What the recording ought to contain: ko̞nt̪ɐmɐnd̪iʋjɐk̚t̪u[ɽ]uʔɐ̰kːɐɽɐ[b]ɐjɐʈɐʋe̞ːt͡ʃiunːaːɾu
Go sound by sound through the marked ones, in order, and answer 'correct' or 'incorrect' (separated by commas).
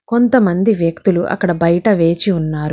incorrect, correct